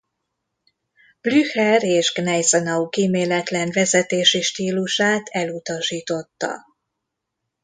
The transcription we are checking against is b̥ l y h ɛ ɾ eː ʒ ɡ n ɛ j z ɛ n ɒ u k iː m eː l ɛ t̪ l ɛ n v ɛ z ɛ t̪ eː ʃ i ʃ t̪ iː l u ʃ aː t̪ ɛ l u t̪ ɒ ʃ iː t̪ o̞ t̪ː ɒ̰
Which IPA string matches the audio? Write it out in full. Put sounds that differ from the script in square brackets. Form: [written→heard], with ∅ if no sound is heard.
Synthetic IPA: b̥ l y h ɛ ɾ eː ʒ ɡ n ɛ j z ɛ n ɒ u k iː m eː l ɛ t̪ l ɛ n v ɛ z ɛ t̪ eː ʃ i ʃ t̪ iː l u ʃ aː t̪ ɛ l u t̪ ɒ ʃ iː t̪ o̞ t̪ː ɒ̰